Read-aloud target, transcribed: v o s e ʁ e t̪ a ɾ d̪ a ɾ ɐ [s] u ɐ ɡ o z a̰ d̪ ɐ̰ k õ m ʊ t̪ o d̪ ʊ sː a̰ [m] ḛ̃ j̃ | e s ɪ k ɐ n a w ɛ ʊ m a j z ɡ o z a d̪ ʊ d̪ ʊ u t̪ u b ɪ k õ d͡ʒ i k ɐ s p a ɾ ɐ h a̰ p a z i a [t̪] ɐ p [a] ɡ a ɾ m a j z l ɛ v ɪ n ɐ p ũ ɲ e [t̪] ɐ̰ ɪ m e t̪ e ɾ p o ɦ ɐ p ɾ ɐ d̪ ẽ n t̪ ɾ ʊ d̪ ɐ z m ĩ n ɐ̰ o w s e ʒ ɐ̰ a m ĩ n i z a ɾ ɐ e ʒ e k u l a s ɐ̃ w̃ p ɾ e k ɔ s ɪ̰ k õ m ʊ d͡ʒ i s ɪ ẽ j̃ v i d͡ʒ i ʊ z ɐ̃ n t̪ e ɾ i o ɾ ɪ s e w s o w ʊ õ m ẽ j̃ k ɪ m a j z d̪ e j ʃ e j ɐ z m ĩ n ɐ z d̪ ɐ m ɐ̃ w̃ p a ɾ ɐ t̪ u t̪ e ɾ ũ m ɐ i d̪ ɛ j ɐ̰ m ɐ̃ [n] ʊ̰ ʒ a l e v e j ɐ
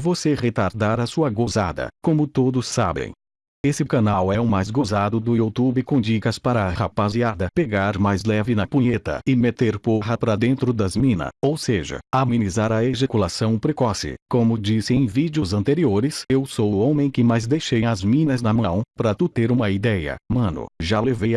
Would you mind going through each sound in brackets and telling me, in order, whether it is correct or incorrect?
correct, incorrect, incorrect, incorrect, correct, correct

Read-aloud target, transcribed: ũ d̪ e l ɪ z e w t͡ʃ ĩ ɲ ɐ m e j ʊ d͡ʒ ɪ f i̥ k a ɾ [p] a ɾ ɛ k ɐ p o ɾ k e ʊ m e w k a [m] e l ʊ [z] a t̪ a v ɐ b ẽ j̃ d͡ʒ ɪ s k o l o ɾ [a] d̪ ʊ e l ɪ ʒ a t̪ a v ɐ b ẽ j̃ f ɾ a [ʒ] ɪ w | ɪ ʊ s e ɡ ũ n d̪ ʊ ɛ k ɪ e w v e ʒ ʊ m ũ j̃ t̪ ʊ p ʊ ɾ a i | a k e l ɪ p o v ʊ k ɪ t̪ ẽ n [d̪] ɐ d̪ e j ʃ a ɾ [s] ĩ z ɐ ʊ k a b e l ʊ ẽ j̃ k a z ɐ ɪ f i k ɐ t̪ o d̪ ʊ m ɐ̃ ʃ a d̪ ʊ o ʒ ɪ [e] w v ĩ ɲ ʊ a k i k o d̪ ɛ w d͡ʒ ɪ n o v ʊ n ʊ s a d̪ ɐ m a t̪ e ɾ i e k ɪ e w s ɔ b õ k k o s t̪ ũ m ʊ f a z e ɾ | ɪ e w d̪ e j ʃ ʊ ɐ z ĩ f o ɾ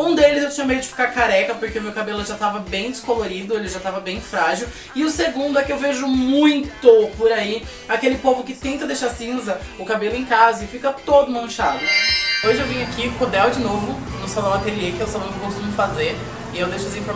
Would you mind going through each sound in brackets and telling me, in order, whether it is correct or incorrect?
incorrect, incorrect, incorrect, incorrect, correct, incorrect, correct, correct

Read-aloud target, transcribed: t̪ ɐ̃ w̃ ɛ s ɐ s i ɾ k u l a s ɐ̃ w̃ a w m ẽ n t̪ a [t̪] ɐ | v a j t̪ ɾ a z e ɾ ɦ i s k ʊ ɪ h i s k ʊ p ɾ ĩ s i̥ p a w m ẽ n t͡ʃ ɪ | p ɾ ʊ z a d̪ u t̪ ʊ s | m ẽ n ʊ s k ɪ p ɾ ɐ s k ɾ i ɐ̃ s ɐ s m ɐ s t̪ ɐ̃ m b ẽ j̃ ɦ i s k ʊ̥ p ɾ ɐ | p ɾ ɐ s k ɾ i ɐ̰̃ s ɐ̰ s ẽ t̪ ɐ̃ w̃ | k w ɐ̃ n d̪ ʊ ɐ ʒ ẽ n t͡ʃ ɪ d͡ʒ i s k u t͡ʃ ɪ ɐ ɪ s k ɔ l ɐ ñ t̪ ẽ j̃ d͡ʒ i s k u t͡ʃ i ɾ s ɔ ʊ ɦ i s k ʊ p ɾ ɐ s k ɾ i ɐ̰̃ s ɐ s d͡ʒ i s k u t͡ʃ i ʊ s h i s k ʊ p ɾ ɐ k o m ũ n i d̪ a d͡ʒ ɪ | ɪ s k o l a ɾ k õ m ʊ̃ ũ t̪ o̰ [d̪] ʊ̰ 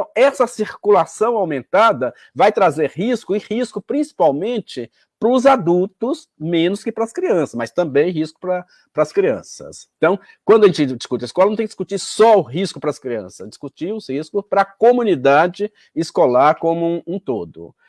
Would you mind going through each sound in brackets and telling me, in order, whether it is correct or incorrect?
incorrect, correct

